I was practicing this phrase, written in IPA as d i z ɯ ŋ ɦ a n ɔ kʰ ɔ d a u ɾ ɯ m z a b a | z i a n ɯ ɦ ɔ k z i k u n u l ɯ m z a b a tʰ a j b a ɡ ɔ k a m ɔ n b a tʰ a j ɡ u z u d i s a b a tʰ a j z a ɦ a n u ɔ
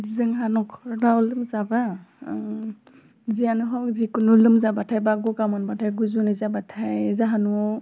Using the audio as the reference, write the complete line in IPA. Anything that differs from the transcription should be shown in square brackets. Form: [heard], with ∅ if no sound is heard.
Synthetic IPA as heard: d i z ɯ ŋ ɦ a n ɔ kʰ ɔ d a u [l] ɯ m z a b a | z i a n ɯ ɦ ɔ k z i k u n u l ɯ m z a b a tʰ a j b a ɡ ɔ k a m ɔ n b a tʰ a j ɡ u z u [n] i [z] a b a tʰ a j z a ɦ a n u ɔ

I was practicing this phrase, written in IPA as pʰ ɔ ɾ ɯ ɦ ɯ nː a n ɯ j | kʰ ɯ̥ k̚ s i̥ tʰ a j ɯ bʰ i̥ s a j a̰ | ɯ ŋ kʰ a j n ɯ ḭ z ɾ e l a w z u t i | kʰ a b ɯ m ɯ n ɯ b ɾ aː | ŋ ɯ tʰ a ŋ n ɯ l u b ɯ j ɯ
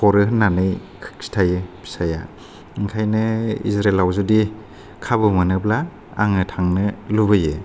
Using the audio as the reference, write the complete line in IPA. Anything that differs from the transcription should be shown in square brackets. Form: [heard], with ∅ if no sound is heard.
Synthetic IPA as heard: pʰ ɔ ɾ ɯ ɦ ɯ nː a n ɯ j | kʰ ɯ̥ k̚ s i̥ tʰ a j ɯ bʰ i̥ s a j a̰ | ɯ ŋ kʰ a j n ɯ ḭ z ɾ e l a w z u [d] i | kʰ a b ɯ m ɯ n ɯ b [l] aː | ŋ ɯ tʰ a ŋ n ɯ l u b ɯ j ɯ

